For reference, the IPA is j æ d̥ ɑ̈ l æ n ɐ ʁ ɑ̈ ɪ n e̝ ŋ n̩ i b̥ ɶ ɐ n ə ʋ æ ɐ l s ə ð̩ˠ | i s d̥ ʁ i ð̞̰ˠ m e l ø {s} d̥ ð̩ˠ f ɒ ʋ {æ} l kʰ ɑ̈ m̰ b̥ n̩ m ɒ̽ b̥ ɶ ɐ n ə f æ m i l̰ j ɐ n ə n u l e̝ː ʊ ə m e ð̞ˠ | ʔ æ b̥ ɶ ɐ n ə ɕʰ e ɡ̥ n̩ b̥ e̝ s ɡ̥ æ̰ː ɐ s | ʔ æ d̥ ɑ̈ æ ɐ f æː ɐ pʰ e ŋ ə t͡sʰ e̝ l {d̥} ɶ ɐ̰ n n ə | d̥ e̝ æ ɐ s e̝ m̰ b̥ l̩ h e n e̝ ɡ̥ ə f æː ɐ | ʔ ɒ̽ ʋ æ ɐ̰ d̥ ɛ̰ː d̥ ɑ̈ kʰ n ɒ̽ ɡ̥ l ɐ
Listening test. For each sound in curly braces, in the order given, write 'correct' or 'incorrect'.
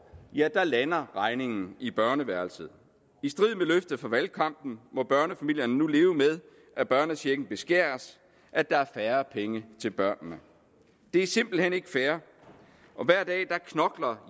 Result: incorrect: f, correct, incorrect: b̥

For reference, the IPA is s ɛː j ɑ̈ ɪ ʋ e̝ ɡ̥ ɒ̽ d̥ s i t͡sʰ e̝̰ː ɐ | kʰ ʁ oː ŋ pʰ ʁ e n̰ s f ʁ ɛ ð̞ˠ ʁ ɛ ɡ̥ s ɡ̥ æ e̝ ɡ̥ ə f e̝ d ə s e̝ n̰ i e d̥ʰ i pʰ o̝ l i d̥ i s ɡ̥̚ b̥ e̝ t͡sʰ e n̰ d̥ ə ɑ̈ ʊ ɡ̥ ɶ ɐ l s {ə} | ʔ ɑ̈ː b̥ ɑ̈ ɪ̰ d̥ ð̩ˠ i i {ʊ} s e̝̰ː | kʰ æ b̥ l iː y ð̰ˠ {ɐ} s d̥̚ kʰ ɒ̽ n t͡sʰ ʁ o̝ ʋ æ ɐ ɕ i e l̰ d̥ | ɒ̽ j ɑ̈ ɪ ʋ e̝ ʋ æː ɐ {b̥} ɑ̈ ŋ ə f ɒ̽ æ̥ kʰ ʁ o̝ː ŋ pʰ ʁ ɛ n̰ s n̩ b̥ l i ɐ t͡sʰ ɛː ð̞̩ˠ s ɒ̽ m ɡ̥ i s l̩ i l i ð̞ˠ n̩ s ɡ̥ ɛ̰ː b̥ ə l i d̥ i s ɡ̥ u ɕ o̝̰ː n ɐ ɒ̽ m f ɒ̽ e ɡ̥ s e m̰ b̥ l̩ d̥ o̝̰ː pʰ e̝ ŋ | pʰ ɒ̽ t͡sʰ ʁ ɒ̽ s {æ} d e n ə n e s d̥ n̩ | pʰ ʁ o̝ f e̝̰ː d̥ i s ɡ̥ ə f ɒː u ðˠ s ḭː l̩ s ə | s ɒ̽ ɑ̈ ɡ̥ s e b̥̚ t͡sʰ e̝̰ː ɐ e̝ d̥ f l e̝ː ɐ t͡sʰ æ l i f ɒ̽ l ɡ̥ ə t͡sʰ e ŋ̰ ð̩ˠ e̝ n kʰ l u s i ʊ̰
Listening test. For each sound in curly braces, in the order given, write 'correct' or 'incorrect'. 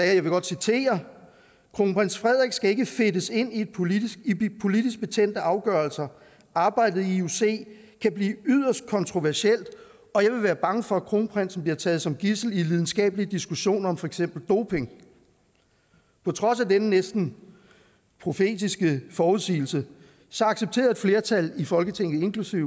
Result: incorrect: ɐ, incorrect: u, correct, correct, correct

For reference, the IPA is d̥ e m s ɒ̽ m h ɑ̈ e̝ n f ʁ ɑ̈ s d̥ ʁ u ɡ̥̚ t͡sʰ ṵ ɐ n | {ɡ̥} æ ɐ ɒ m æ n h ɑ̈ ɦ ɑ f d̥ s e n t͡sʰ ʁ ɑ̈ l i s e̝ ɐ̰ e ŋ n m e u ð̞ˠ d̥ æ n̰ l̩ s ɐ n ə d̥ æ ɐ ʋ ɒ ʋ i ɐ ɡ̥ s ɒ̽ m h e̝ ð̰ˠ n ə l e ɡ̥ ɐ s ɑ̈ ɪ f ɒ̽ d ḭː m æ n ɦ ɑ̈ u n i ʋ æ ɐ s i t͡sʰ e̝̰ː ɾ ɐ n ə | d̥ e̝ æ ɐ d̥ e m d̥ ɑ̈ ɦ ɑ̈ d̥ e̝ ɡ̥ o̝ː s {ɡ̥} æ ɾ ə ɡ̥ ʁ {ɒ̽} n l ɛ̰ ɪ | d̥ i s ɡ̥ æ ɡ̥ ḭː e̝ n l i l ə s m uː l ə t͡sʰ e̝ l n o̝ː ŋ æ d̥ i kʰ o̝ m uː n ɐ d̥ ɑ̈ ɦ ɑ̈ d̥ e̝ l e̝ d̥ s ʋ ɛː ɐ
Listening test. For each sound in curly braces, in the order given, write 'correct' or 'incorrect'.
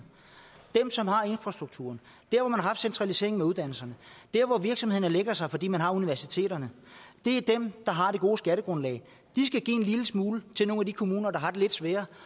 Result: incorrect: d̥, correct, incorrect: ɔ̽

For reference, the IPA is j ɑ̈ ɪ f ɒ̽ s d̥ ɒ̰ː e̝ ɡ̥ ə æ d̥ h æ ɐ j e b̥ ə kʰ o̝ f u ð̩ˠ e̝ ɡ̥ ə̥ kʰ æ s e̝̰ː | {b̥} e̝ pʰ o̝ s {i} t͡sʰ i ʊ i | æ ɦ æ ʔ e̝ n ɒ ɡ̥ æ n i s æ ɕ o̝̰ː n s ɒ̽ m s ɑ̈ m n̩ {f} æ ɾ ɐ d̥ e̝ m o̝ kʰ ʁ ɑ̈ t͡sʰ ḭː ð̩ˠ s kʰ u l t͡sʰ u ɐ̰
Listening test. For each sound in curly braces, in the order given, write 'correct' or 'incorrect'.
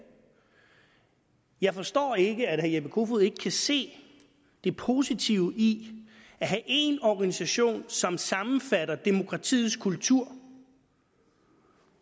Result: incorrect: d̥, correct, correct

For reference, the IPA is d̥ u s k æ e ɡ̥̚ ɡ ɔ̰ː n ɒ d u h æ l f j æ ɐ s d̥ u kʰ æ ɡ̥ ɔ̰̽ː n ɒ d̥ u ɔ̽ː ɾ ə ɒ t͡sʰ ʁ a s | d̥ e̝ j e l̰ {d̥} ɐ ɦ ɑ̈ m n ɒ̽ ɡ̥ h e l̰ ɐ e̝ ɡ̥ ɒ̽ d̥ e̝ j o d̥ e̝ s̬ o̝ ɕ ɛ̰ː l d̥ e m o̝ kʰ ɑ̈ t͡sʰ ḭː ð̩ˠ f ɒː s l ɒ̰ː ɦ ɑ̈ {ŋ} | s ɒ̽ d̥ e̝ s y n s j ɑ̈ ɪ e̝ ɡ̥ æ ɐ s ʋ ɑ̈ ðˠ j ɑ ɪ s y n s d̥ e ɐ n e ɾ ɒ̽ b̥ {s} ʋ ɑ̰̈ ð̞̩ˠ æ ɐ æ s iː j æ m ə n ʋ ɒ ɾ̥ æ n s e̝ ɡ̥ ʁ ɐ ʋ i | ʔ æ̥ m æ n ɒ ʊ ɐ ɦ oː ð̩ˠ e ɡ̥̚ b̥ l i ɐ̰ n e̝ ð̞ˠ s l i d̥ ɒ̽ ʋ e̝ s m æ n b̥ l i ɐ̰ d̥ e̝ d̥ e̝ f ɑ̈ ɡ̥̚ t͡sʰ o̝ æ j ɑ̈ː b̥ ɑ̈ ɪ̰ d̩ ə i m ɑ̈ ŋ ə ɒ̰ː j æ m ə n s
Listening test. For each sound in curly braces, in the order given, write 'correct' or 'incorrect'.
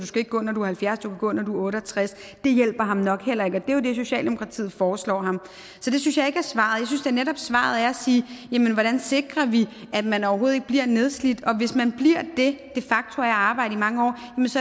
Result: incorrect: b̥, incorrect: m, correct

